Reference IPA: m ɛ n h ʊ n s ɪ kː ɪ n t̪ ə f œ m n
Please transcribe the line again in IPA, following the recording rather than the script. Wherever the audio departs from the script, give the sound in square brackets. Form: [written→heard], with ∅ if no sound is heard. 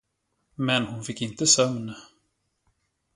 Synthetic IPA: m ɛ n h ʊ n [s→f] ɪ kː ɪ n t̪ ə [f→s] œ m n